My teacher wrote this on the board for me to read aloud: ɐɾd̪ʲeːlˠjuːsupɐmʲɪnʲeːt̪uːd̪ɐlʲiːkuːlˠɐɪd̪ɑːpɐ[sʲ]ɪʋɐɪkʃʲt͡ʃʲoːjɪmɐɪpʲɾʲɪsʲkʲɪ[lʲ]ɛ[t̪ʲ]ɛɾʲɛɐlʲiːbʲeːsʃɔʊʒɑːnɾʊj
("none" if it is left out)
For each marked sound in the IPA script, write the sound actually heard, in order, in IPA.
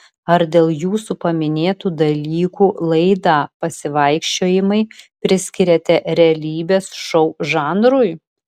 sʲ, ɾʲ, t̪ʲ

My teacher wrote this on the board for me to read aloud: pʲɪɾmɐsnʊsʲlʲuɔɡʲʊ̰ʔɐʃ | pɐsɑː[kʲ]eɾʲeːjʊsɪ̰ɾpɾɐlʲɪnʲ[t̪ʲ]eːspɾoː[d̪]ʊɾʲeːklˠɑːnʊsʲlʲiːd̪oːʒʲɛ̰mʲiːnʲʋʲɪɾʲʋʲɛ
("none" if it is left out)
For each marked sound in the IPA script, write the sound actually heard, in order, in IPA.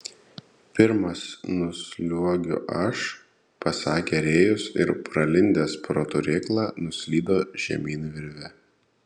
kʲ, d̪ʲ, t̪

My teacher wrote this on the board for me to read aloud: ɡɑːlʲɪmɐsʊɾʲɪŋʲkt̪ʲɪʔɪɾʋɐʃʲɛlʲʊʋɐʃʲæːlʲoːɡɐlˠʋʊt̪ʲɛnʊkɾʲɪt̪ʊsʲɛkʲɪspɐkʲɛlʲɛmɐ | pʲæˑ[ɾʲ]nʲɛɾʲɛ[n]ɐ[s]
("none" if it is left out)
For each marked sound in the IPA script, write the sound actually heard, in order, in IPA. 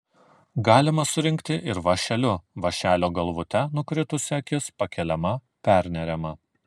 ɾʲ, m, none

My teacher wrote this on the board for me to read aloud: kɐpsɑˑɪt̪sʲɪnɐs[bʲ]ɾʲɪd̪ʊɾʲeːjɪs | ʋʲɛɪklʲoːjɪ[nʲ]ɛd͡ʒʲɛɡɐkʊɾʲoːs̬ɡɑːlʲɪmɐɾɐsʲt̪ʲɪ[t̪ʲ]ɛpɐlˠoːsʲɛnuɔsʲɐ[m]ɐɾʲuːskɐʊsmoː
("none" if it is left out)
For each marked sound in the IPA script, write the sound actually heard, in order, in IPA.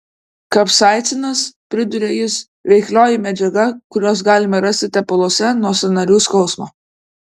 pʲ, mʲ, t̪ʲ, n

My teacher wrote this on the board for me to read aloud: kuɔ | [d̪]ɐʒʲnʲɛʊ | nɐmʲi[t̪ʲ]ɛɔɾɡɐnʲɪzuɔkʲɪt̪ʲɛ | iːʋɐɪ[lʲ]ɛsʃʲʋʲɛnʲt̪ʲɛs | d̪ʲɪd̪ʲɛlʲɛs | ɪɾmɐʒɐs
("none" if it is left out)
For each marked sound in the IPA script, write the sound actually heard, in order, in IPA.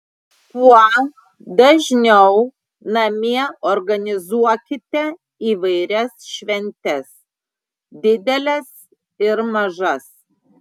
d̪, none, ɾʲ

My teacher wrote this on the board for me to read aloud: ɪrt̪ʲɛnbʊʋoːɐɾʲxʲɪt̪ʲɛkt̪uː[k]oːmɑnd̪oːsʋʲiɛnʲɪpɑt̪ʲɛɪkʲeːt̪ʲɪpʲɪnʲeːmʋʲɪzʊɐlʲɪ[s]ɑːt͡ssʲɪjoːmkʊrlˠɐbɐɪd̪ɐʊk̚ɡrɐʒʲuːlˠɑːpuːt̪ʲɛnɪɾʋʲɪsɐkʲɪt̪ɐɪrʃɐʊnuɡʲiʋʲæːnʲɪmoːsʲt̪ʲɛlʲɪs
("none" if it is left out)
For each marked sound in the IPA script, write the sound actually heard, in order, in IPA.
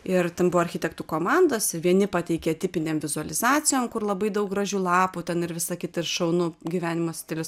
k, z

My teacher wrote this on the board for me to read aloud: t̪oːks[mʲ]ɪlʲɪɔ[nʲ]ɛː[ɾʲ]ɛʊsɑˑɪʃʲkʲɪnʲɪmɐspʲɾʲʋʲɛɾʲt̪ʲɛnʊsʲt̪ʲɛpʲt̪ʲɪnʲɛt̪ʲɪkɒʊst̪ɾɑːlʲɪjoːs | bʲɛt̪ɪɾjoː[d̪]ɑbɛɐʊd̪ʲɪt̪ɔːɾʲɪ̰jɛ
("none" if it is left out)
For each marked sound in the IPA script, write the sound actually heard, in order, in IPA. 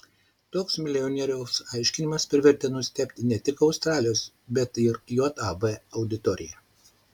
mʲ, nʲ, ɾʲ, t̪

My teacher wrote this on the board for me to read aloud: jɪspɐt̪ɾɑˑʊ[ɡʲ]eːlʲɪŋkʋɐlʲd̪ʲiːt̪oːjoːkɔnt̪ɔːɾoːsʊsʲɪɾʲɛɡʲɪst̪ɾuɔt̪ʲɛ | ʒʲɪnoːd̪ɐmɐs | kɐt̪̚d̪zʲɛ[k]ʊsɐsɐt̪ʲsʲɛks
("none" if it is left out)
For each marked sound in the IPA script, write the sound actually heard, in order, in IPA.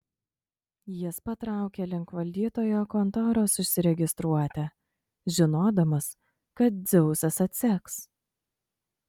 kʲ, none

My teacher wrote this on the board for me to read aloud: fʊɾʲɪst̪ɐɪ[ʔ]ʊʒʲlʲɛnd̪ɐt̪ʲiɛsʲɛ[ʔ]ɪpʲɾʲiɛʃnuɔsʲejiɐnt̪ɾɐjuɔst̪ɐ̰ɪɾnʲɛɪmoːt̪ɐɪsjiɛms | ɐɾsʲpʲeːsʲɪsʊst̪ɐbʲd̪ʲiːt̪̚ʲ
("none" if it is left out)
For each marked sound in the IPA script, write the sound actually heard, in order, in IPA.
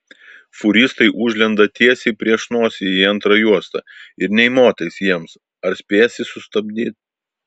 ʔ, none

